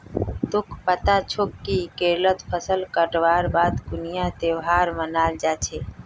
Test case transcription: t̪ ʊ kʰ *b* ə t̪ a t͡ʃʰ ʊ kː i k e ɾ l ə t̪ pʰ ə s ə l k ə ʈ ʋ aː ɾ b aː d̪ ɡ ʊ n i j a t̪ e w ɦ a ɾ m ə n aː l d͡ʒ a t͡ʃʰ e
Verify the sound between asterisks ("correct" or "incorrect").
incorrect